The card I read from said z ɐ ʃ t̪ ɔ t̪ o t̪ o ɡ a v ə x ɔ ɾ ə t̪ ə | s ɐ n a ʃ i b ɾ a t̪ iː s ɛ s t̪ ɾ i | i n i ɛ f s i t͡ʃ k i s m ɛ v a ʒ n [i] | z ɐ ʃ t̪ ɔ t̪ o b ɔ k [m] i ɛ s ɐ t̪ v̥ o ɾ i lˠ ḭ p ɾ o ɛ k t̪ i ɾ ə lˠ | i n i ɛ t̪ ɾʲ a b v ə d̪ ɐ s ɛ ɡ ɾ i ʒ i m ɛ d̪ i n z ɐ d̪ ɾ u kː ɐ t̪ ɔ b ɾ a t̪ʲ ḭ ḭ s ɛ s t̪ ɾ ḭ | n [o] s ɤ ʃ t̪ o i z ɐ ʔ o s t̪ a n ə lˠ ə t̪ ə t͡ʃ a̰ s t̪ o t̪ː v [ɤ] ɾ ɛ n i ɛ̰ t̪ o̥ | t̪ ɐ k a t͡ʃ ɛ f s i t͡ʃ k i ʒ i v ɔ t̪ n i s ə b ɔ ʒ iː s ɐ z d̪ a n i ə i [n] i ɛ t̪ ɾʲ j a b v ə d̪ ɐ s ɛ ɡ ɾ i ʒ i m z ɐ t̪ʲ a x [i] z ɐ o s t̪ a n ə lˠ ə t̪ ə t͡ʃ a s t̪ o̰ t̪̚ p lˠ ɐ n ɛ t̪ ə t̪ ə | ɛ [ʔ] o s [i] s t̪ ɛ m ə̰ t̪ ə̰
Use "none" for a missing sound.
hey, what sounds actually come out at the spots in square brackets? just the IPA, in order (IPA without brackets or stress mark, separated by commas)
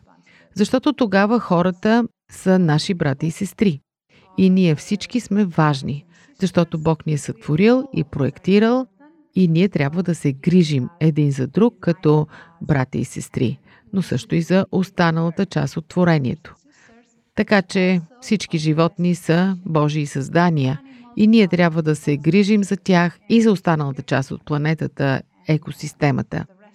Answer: i, n, o, o, n, i, k, i